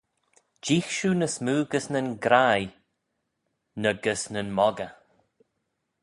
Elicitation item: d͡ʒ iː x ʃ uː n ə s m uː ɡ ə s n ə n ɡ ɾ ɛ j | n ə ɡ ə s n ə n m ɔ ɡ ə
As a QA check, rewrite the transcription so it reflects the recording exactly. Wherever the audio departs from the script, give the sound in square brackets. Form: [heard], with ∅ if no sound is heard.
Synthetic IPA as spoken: d͡ʒ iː x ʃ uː n ə s m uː ɡ ə s n ə n ɡ ɾ [a] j | n ə ɡ ə s n ə n m ɔ ɡ ə